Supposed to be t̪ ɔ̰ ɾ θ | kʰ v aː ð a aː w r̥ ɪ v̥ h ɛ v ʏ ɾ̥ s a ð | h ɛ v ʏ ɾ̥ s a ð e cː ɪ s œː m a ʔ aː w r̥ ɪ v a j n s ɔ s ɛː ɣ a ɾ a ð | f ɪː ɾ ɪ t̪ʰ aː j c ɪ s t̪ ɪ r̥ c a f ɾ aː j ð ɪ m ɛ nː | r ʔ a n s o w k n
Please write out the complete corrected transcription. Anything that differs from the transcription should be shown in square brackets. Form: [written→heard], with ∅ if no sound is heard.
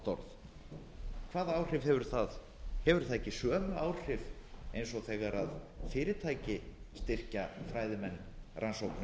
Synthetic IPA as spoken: t̪ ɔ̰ ɾ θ | kʰ v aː ð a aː w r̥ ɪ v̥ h ɛ v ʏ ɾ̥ [s→θ] a ð | h ɛ v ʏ ɾ̥ [s→θ] a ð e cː ɪ s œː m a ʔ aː w r̥ ɪ v [a→e] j n s ɔ [s→θ] ɛː ɣ a ɾ a ð | f ɪː ɾ ɪ t̪ʰ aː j c ɪ s t̪ ɪ r̥ c a f ɾ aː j ð ɪ m ɛ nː | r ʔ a n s o w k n

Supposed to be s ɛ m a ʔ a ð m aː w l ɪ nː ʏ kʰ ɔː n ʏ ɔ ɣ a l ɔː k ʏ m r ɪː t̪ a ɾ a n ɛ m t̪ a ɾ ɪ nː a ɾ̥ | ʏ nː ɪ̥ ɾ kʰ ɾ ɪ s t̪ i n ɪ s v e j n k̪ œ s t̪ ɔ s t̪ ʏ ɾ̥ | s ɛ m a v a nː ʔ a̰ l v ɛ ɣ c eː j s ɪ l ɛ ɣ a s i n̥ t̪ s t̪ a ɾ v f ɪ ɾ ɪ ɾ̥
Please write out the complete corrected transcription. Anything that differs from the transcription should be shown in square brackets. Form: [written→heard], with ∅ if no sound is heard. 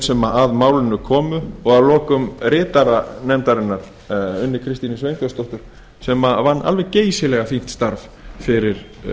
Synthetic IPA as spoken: s ɛ m a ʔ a ð m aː w l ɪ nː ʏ kʰ ɔː [n→m] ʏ ɔ ɣ a l ɔː k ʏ m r ɪː t̪ a ɾ a n ɛ m t̪ a ɾ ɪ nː a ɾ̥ | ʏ nː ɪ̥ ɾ kʰ ɾ ɪ s t̪ i n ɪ s v e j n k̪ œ s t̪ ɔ [s→h] t̪ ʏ ɾ̥ | s ɛ m a v a nː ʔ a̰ l v ɛ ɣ c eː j s ɪ l ɛ ɣ a [s→f] i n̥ t̪ s t̪ a ɾ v f ɪ ɾ ɪ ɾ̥

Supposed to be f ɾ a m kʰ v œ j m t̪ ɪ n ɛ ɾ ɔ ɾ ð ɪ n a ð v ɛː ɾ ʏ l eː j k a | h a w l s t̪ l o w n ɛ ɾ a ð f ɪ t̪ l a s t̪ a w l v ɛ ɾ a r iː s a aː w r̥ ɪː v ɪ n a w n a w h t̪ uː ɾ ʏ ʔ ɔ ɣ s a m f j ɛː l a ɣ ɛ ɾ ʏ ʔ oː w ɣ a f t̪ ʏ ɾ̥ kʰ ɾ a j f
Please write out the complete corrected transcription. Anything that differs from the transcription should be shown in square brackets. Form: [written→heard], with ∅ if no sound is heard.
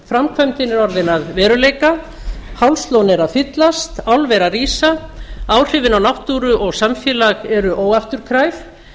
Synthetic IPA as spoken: f ɾ a m kʰ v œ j m t̪ ɪ n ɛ ɾ ɔ ɾ ð ɪ n a ð v ɛː ɾ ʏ l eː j k a | h a w l s t̪ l o w n ɛ ɾ a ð f ɪ t̪ l a s t̪ a w l v ɛ ɾ a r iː s a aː w r̥ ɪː v ɪ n a w n a w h t̪ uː ɾ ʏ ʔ ɔ ɣ s a m f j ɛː l a ɣ ɛ ɾ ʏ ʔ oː w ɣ a f t̪ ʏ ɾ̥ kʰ ɾ a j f

